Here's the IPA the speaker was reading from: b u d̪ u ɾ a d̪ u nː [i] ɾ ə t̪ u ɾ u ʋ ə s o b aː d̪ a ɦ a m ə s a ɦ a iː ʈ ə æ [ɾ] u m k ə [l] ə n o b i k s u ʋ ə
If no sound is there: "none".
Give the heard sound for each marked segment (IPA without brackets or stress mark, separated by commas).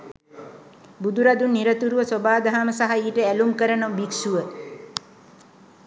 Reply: i, l, ɾ